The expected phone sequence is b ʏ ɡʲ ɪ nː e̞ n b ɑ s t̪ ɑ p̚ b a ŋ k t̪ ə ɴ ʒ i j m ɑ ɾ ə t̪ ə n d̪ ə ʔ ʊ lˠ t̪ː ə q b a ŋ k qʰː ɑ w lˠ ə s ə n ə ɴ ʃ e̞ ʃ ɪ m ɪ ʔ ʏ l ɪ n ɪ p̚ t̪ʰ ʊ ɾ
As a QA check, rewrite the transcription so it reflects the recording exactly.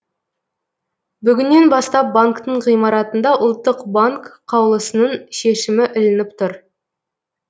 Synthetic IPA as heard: b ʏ ɡʲ ɪ nː e̞ n b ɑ s t̪ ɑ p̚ b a ŋ k t̪ ə ɴ ʁ i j m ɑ ɾ ɑ t̪ ə n d̪ ɑ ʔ ʊ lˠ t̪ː ə q b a ŋ k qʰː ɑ w lˠ ə s ə n ə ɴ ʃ e̞ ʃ ɪ m ɪ ʔ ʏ l ɪ n ɪ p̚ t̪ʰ ʊ ɾ

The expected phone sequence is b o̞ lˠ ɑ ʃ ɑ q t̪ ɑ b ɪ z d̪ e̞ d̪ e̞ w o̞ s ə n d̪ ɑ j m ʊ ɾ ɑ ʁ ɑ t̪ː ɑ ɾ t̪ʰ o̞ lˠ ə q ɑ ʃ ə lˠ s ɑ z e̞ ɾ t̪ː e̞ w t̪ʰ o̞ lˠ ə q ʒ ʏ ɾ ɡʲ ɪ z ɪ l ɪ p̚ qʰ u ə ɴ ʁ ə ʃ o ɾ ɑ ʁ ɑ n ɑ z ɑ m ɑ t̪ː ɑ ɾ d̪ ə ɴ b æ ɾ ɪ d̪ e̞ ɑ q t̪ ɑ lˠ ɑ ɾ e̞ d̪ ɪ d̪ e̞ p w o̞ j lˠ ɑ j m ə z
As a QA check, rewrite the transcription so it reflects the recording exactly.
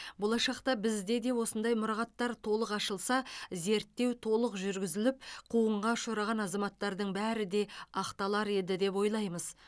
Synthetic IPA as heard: b o̞ lˠ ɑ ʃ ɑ q t̪ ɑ b ɪ z d̪ e̞ d̪ e̞ w o̞ s ə n d̪ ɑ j m ʊ ɾ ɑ ʁ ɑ t̪ː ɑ ɾ t̪ʰ o̞ lˠ ə q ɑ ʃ ə lˠ s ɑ z e̞ ɾ t̪ː e̞ w t̪ʰ o̞ lˠ ə q ʒ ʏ ɾ ɡʲ ɪ z ɪ l ɪ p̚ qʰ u ə ɴ ʁ ɑ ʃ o ɾ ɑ ʁ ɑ n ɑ z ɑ m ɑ t̪ː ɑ ɾ d̪ ə ɴ b æ ɾ ɪ d̪ e̞ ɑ q t̪ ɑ lˠ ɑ ɾ e̞ d̪ ɪ d̪ e̞ p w o̞ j lˠ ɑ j m ə z

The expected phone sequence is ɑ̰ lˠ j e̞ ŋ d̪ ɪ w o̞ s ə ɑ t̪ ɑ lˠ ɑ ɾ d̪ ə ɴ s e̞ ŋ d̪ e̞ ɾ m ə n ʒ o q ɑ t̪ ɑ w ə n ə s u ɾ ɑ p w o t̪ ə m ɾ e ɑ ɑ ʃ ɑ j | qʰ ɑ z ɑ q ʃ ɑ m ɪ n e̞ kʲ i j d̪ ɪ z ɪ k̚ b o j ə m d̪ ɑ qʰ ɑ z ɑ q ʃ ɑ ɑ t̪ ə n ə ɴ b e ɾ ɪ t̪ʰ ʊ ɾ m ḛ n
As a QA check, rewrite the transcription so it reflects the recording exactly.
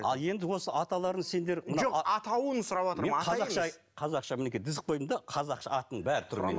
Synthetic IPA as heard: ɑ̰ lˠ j e̞ n d̪ ɪ w o̞ s ə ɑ t̪ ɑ lˠ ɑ ɾ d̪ ə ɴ s e̞ n d̪ e̞ ɾ m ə n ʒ o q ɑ t̪ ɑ w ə n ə s ʊ ɾ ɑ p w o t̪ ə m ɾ e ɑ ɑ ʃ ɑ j | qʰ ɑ z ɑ q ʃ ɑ m ɪ n e̞ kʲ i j d̪ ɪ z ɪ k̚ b o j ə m d̪ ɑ qʰ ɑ z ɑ q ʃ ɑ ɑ t̪ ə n ə ɴ b æ ɾ ɪ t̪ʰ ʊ ɾ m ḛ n

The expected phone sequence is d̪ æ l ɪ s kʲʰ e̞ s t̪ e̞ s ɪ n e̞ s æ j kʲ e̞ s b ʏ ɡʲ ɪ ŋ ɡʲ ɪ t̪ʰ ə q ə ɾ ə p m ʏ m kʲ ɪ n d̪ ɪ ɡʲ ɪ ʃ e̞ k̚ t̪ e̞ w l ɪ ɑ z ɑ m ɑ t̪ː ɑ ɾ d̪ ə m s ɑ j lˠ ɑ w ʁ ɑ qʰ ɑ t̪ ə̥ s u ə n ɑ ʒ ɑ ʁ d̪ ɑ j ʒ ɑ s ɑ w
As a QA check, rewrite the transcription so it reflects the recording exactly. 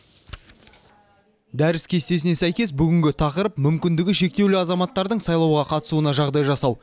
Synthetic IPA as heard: d̪ æ ɾ ɪ s kʲʰ e̞ s t̪ e̞ s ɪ n e̞ s æ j kʲ e̞ s b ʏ ɡʲ ɪ ŋ ɡʲ ɪ t̪ʰ ɑ q ə ɾ ə p m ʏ m kʲ ɪ n d̪ ɪ ɡʲ ɪ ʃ e̞ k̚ t̪ e̞ w l ɪ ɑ z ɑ m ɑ t̪ː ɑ ɾ d̪ ə ɴ s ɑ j lˠ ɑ w ʁ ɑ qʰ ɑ t̪ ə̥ s u ə n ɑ ʒ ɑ ʁ d̪ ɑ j ʒ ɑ s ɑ w

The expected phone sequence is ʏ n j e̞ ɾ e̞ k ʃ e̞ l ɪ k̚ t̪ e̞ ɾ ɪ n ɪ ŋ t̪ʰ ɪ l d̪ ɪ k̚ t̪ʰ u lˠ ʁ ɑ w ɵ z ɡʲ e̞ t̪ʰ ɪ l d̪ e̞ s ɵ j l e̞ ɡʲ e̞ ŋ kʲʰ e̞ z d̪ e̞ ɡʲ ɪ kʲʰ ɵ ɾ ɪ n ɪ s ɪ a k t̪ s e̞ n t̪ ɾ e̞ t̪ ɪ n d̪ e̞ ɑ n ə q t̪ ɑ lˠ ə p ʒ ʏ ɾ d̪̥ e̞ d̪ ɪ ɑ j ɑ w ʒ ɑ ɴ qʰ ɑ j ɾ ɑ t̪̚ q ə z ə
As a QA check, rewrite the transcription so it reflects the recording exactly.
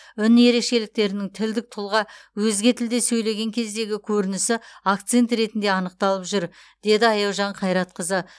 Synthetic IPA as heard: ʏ n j e̞ ɾ e̞ k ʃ e̞ l ɪ k̚ t̪ e̞ ɾ ɪ n ɪ ŋ t̪ʰ ɪ l d̪ ɪ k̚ t̪ʰ ʊ lˠ ʁ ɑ w ɵ z ɡʲ e̞ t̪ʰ ɪ l d̪ e̞ s ɵ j l e̞ ɡʲ e̞ ŋ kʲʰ e̞ z d̪ e̞ ɡʲ ɪ kʲʰ ɵ ɾ ɪ n ɪ s ɪ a k t̪ s e̞ n t̪ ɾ e̞ t̪ ɪ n d̪ e̞ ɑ n ə q t̪ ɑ lˠ ə p ʒ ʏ ɾ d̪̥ e̞ d̪ ɪ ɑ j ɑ w ʒ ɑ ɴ qʰ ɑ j ɾ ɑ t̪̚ q ə z ə

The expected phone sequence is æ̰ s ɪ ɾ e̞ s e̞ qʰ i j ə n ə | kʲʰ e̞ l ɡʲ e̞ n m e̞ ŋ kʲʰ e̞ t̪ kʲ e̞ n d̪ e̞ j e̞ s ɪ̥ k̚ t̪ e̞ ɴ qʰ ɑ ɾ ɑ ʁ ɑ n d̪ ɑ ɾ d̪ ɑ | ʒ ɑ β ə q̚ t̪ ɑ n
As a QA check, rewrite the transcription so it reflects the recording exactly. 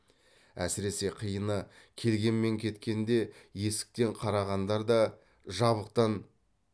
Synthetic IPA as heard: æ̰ s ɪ ɾ e̞ s e̞ qʰ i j ə n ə | kʲʰ e̞ l ɡʲ e̞ n m e̞ ŋ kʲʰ e̞ t̪ kʲ e̞ n d̪ e̞ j e̞ s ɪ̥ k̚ t̪ e̞ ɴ qʰ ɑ ɾ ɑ ʁ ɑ n d̪ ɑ ɾ d̪ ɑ | ʒ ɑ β ə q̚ t̪ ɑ n

